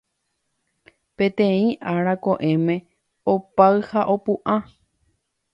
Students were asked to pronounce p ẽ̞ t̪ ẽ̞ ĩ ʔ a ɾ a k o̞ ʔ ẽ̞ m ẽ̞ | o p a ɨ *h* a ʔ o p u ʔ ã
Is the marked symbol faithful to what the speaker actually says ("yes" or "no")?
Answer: yes